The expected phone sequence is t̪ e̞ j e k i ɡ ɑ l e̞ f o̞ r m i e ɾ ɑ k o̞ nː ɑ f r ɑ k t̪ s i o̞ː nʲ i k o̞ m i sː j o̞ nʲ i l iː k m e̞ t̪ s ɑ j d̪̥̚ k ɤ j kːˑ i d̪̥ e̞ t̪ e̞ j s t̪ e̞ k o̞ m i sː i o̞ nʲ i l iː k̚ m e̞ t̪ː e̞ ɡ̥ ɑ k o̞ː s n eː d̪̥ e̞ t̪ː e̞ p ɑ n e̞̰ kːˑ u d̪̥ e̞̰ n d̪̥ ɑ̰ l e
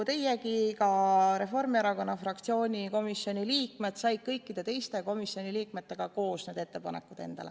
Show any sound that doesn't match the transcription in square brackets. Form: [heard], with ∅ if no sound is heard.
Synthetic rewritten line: t̪ e̞ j e k i [k] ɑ [ɾ] e̞ f o̞ r m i e ɾ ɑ k o̞ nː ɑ f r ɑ k t̪ s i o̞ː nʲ i k o̞ m i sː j o̞ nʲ i l iː k m e̞ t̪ s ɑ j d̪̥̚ k ɤ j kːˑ i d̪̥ e̞ t̪ e̞ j s t̪ e̞ k o̞ m i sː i o̞ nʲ i l iː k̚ m e̞ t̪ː e̞ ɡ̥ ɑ k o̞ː s n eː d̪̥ e̞ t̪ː e̞ p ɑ n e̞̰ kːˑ u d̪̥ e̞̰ n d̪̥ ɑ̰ l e